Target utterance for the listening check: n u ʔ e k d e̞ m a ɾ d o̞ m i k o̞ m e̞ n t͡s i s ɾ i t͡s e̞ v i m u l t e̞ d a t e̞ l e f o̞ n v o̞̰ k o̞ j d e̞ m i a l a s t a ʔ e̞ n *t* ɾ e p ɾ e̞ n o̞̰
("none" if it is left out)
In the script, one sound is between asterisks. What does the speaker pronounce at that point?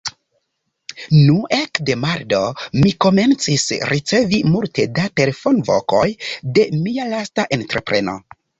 t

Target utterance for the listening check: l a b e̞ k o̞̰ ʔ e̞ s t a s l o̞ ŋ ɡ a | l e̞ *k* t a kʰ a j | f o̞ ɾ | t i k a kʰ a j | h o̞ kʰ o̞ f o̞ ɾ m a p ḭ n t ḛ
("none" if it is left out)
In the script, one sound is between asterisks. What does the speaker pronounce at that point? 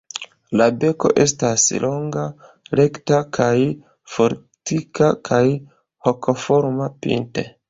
k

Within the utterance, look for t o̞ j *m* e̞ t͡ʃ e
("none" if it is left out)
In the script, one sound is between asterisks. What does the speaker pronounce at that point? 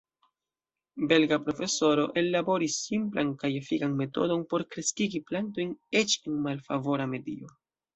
n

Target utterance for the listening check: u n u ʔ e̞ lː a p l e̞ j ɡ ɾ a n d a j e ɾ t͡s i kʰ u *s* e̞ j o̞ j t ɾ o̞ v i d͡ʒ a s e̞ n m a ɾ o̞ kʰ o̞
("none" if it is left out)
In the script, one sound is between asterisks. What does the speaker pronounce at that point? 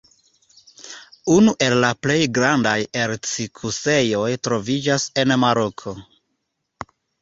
s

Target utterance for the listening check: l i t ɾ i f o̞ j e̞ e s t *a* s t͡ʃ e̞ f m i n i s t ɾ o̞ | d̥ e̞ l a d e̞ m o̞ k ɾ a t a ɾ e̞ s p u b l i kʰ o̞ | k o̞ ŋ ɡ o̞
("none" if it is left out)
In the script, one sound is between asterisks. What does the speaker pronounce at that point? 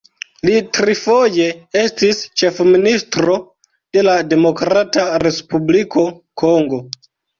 i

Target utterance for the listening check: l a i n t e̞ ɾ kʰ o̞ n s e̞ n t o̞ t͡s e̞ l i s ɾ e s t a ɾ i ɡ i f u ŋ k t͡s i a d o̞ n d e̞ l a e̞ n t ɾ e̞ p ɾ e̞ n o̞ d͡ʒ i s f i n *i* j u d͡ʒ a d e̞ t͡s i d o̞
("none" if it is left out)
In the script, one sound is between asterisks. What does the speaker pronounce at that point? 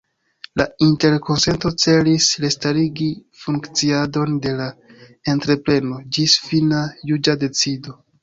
a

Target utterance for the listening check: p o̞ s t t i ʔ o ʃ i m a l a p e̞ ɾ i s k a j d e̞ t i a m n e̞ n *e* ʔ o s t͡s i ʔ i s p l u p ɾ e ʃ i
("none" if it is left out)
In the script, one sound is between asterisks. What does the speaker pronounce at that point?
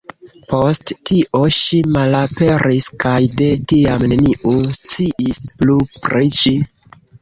i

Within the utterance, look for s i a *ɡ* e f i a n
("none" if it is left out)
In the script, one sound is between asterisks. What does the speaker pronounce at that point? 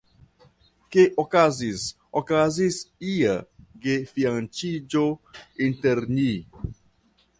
ɡ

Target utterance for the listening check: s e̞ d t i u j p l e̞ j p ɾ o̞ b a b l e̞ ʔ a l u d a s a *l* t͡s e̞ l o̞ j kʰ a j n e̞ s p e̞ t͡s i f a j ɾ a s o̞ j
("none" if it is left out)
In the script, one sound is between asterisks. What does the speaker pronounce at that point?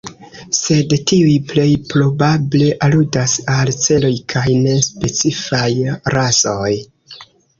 l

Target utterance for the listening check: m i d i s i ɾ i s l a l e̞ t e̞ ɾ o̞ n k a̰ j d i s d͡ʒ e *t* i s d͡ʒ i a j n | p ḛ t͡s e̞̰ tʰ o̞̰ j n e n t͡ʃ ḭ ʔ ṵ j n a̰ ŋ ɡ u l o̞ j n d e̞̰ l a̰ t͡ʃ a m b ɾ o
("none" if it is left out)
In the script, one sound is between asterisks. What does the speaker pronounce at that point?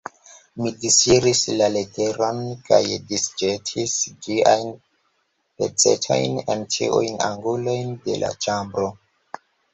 tʰ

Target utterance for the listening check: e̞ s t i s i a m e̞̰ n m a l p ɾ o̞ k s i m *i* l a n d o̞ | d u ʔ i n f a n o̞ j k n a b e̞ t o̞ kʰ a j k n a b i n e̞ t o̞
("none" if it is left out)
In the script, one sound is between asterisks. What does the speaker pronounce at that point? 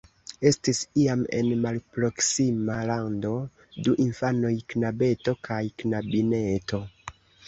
a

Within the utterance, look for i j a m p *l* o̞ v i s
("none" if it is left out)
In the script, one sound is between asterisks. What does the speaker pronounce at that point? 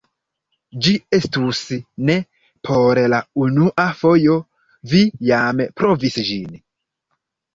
ɾ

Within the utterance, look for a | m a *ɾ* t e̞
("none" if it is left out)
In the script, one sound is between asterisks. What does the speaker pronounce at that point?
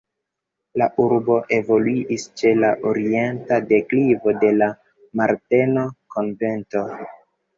ɾ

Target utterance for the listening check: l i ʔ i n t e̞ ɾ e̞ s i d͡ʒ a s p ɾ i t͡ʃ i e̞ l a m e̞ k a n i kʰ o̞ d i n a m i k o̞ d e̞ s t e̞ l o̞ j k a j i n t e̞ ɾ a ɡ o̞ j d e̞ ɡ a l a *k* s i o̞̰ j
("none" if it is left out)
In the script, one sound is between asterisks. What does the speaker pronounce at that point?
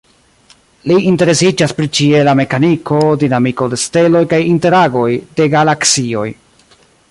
k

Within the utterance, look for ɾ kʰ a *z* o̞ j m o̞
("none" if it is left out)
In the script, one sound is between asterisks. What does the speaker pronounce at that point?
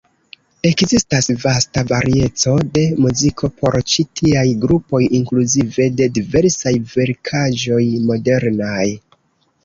ʒ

